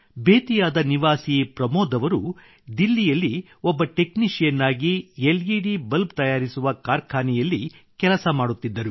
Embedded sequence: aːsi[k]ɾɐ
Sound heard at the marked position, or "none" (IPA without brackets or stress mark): p